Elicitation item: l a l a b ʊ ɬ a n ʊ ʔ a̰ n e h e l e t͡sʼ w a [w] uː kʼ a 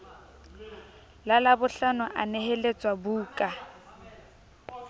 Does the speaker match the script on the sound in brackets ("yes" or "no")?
no